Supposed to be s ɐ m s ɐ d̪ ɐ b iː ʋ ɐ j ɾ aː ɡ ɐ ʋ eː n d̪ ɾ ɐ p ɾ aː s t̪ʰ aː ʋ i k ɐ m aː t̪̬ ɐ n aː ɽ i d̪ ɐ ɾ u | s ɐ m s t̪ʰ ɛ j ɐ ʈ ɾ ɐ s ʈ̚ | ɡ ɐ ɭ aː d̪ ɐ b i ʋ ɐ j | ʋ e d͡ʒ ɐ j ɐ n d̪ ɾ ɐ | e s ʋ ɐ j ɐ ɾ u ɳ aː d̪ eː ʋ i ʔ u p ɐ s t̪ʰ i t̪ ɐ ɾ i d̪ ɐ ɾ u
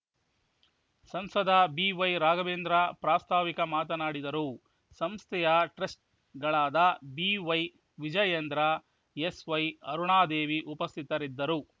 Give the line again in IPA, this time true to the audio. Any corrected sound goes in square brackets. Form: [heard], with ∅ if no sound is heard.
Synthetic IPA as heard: s ɐ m s ɐ d̪ ɐ b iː ʋ ɐ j ɾ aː ɡ ɐ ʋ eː n d̪ ɾ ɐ p ɾ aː s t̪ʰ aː ʋ i k ɐ m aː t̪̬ ɐ n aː ɽ i d̪ ɐ ɾ u | s ɐ m s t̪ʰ ɛ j ɐ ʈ ɾ ɐ s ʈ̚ | ɡ ɐ ɭ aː d̪ ɐ b i ʋ ɐ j | ʋ [i] d͡ʒ ɐ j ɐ n d̪ ɾ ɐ | e s ʋ ɐ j ɐ ɾ u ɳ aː d̪ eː ʋ i ʔ u p ɐ s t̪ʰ i t̪ ɐ ɾ i [d̪ː] ɐ ɾ u